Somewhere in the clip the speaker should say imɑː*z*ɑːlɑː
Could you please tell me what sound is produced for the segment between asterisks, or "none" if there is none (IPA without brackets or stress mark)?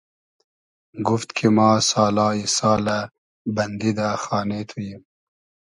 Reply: s